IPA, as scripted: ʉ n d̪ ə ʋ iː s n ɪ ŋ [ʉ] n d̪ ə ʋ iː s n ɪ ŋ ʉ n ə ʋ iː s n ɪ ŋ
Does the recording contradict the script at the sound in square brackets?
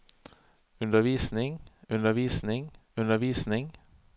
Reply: no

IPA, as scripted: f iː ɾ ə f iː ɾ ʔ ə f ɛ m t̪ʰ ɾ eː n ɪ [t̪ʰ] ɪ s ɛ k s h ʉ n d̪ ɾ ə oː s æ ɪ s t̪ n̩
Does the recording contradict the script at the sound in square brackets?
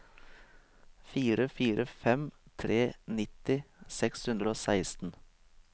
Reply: yes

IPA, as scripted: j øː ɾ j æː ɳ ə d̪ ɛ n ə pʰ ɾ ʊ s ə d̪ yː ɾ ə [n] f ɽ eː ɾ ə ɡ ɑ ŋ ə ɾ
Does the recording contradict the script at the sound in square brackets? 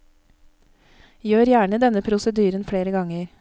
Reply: no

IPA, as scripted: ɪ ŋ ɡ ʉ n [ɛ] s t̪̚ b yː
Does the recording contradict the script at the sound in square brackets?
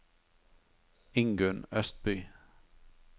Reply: yes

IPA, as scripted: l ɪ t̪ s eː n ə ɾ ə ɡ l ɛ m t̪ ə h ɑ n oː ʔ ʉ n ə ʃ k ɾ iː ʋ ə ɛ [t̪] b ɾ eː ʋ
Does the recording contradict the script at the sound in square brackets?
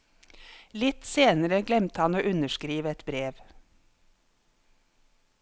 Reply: no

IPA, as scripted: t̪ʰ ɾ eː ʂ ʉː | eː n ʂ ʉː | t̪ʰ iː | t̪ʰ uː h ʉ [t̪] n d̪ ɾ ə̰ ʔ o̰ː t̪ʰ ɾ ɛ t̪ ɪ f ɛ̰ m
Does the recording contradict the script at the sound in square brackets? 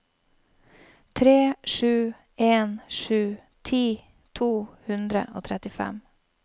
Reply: yes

